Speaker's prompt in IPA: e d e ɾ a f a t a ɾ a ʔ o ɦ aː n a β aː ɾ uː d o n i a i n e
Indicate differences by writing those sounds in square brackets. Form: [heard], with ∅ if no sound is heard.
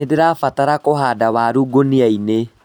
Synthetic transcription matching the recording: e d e ɾ a f a t a ɾ a [k] o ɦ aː [d] a [w] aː ɾ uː [ɡ] o n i a i n e